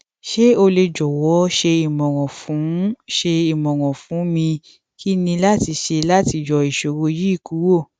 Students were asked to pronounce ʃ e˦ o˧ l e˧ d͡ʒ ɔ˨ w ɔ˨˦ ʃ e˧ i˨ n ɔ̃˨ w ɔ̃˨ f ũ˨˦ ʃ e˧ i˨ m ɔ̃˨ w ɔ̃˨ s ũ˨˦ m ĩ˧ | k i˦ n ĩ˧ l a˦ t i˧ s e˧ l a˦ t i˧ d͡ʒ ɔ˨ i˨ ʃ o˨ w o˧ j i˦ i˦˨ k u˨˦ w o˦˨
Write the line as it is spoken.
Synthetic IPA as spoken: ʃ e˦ o˧ l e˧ d͡ʒ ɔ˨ w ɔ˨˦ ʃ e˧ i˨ m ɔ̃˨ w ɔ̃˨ f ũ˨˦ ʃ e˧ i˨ m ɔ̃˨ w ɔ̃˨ f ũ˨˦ m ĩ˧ | k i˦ n ĩ˧ l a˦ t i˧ ʃ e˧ l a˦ t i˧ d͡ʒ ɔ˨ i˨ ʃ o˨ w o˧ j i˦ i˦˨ k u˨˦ w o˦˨